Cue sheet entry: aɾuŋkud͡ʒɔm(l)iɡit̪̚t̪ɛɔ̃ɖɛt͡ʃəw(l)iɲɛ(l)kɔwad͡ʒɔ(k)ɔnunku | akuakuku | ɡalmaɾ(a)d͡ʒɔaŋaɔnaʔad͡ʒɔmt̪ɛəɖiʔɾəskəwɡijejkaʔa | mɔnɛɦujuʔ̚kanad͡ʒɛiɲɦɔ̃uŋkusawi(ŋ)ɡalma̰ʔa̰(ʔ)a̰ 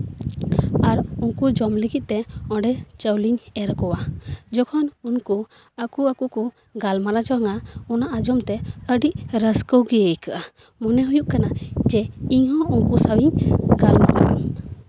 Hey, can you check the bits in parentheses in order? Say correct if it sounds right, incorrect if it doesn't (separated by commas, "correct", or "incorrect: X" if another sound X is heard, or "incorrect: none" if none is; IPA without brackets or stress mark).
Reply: correct, correct, incorrect: ɾ, incorrect: kʰ, correct, incorrect: ɲ, correct